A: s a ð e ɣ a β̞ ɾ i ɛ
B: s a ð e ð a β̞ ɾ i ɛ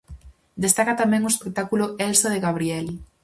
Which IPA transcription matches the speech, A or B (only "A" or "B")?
A